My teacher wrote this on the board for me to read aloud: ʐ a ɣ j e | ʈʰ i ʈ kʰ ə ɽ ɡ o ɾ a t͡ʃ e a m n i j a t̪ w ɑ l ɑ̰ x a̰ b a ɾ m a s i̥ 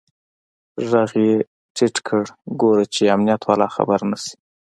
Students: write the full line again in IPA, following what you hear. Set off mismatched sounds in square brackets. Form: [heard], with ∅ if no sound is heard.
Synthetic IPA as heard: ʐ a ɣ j e | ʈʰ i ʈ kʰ ə ɽ ɡ o ɾ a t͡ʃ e a m n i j a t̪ w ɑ l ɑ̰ x a̰ b a ɾ [n] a s i̥